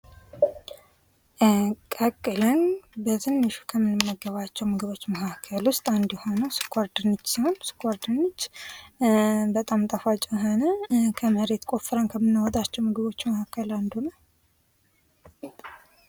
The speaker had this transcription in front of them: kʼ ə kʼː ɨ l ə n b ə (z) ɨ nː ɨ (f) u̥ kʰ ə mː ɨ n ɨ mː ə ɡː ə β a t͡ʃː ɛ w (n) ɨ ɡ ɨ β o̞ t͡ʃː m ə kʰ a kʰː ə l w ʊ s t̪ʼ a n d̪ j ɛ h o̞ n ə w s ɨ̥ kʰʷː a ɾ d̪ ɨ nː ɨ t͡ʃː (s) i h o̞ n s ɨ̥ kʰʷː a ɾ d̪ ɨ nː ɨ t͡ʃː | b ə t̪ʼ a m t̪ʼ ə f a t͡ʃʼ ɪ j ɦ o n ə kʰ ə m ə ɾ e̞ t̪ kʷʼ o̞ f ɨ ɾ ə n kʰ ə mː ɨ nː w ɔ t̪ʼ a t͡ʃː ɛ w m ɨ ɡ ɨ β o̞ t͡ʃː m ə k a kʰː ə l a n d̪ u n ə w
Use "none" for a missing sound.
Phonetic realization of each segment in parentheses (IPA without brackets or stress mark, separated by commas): z, ʃ, m, s